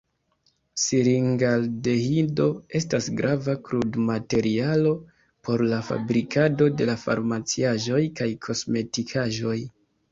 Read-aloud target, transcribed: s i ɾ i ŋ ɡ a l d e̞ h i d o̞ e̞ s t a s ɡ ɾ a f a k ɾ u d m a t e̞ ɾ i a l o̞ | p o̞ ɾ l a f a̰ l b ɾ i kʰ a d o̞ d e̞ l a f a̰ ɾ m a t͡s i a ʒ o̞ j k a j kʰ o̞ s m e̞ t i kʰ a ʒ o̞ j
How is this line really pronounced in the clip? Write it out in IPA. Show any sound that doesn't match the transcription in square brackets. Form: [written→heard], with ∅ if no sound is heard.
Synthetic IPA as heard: s i ɾ i ŋ ɡ a l d e̞ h i d o̞ e̞ s t a s ɡ ɾ a [f→v] a k ɾ u d m a t e̞ ɾ i a l o̞ | p o̞ ɾ l a f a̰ [l→∅] b ɾ i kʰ a d o̞ d e̞ l a f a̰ ɾ m a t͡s i a ʒ o̞ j k a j kʰ o̞ s m e̞ t i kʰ a ʒ o̞ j